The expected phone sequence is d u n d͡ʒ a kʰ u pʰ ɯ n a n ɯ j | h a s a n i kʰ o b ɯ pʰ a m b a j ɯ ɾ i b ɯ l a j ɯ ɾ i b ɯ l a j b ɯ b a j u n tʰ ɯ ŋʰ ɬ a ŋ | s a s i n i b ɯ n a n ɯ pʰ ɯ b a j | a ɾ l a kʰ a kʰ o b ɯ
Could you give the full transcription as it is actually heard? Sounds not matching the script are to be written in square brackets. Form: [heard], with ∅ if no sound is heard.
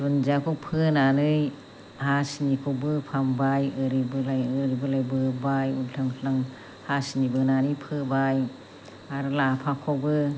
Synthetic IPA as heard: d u n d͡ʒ a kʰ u pʰ ɯ n a n ɯ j | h a s [i] n i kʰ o b ɯ pʰ a m b a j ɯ ɾ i b ɯ l a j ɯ ɾ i b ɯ l a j b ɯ b a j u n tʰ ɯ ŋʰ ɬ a ŋ | [h] a s i n i b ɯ n a n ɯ pʰ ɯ b a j | a ɾ l a [pʰ] a kʰ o b ɯ